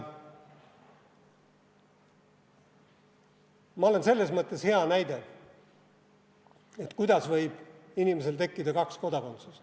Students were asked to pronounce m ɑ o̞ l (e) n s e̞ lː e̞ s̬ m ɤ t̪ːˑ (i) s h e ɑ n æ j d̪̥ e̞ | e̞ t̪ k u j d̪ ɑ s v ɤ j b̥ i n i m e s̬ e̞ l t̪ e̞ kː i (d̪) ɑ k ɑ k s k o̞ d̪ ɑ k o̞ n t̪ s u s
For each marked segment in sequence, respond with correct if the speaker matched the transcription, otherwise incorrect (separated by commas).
correct, incorrect, correct